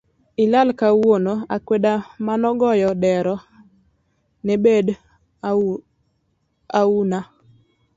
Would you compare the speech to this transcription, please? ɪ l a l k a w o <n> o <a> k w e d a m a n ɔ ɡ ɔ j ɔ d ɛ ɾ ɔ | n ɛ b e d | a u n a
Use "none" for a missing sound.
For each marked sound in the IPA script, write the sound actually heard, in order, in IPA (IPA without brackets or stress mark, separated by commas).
n, a